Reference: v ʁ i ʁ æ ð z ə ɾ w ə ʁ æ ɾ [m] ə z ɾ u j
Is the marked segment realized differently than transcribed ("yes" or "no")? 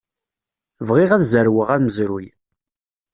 no